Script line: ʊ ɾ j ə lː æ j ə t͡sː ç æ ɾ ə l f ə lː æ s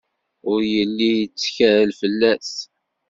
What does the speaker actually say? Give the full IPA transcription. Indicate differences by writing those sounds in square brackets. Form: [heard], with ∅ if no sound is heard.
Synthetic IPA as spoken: ʊ ɾ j ə lː [i] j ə t͡sː ç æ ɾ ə l f ə lː æ s